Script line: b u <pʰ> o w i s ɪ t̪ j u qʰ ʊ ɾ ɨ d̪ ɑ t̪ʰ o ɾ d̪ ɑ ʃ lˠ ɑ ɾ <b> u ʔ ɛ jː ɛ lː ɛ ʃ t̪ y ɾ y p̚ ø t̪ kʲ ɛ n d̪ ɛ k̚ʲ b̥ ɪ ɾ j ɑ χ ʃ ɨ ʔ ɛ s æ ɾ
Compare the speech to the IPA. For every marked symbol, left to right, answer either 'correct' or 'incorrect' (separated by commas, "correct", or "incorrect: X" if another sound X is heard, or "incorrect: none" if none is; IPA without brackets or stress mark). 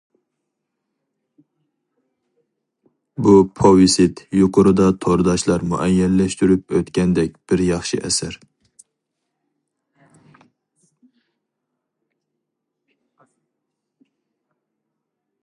correct, incorrect: m